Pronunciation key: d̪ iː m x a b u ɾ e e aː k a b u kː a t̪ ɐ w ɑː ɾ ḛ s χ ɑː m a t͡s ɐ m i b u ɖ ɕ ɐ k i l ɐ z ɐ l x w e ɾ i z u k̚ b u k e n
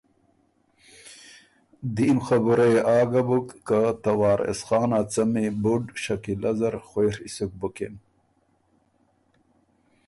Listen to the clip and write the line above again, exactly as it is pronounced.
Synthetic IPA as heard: d̪ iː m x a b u ɾ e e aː ɡ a b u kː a t̪ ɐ w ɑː ɾ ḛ s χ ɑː n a t͡s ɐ m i b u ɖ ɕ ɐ k i l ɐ z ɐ ɾ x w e ɾ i s u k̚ b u k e n